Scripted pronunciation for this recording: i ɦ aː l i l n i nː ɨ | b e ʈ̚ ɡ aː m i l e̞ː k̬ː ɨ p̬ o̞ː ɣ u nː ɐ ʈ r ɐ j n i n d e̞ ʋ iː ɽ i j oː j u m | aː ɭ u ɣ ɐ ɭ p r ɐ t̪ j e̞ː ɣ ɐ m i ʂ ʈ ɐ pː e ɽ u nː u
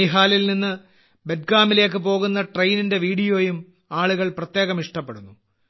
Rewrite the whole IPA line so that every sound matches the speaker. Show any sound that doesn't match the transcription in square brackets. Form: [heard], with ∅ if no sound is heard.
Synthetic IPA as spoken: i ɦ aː l i l n i nː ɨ | b e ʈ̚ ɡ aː m i l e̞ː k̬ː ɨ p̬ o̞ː ɣ u nː ɐ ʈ r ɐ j n i n d e̞ ʋ iː ɽ i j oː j u m | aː ɭ u ɣ ɐ ɭ p r ɐ t̪ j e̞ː ɣ ɐ m i ʂ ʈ ɐ pː e ɽ u nː u